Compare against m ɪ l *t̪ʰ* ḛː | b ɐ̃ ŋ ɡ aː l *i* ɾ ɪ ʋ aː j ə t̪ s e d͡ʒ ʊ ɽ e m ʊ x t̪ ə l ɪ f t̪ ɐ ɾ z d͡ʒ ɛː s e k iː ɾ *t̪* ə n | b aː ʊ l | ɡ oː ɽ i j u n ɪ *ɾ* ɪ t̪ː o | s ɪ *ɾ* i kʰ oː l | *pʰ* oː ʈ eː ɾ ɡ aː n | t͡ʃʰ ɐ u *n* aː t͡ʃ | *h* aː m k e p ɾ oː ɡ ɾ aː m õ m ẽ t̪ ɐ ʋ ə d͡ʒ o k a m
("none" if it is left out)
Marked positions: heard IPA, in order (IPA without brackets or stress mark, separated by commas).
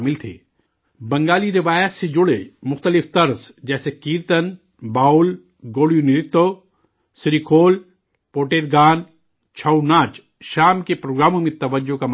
t̪ʰ, i, t̪, ɾ, ɾ, p, n, ʃ